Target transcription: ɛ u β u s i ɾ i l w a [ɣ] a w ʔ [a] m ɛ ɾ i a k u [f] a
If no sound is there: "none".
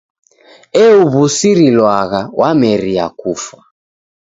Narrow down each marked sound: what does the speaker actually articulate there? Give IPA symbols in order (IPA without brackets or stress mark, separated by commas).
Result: ɣ, a, f